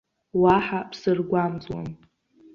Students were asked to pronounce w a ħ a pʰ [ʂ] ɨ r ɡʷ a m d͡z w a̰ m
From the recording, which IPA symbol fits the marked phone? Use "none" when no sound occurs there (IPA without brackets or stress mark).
s